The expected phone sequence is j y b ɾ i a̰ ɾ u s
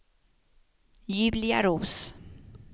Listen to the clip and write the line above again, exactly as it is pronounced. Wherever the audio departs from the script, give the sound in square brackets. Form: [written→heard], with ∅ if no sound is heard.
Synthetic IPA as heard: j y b [ɾ→l] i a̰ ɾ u s